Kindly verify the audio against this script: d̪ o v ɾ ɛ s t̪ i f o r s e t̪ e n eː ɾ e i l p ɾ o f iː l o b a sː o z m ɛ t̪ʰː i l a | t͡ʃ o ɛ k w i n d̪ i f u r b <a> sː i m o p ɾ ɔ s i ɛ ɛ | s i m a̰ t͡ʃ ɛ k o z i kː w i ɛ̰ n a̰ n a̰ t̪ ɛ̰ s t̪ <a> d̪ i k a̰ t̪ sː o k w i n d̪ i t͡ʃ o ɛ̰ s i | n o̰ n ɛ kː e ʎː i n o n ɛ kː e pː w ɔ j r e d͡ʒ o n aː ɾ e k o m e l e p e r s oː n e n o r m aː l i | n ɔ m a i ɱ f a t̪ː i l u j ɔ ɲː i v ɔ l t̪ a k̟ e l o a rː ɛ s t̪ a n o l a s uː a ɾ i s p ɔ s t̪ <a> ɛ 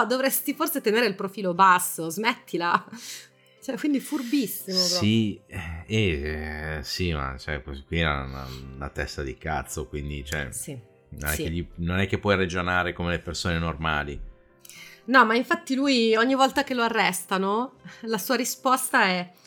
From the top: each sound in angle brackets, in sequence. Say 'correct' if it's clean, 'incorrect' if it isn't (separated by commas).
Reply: incorrect, correct, correct